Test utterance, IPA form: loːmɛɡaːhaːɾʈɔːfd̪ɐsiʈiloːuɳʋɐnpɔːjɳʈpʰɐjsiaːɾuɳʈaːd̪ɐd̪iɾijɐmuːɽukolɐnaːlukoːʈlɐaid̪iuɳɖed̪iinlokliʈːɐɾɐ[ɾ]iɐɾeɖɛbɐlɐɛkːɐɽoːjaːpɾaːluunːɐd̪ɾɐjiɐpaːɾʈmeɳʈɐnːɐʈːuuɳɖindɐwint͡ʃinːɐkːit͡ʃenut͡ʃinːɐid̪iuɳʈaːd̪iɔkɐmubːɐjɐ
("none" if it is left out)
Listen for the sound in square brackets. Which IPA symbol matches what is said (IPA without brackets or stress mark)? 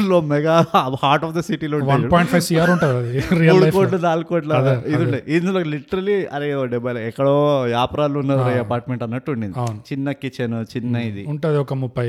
l